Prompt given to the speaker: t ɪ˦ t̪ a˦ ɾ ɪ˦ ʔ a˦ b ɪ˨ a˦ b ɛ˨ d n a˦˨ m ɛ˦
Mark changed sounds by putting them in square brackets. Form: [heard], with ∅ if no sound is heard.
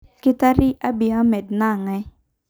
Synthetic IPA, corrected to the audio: [k] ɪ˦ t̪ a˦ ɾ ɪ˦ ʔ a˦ b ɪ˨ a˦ [m] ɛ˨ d n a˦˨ [ŋ] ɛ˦